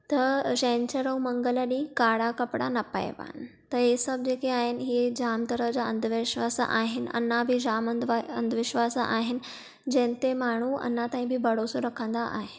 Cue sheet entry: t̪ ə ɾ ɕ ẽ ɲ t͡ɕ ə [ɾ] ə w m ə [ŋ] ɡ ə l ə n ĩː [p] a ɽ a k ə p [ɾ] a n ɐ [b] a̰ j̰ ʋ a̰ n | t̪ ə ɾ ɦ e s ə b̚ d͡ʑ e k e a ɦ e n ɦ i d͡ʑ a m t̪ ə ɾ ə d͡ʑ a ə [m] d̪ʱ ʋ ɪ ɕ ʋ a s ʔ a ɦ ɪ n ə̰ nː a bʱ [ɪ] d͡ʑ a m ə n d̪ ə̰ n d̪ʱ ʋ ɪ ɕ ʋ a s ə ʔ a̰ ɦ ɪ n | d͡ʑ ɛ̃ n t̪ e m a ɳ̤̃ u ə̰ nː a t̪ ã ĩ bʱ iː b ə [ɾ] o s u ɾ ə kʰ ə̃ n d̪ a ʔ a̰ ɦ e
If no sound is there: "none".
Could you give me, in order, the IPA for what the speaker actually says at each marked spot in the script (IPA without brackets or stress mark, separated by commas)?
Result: ɾ, ŋ, k, ɽ, p, n, i, ɽ